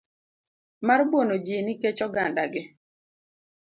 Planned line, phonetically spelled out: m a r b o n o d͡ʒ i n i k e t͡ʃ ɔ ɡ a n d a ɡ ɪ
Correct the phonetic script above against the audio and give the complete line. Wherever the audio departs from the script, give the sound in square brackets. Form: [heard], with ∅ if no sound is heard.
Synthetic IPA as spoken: m a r b o n o d͡ʒ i n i k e t͡ʃ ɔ ɡ a n d a ɡ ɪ